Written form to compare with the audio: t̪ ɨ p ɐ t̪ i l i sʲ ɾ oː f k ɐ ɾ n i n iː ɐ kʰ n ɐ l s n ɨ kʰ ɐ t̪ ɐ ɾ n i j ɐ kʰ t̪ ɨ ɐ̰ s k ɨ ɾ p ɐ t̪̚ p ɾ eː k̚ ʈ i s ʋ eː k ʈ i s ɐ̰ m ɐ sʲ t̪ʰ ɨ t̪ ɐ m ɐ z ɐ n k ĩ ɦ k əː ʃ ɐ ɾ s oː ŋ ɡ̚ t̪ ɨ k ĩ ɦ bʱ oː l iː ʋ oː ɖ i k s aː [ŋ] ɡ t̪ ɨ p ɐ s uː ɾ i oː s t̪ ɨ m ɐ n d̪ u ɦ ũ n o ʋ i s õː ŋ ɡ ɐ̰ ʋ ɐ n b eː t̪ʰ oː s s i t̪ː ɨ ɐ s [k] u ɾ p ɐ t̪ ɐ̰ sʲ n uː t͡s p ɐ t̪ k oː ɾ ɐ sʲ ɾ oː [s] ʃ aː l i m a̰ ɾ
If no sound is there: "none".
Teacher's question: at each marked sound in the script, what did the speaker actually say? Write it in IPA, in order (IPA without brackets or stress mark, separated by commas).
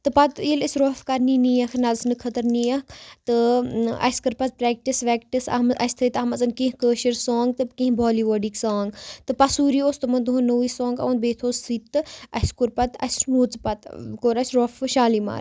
ŋ, k, f